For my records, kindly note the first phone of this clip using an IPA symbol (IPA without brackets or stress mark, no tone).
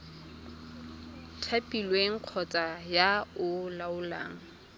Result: tʰ